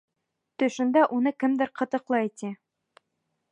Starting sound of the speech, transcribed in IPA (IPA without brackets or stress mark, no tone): t̪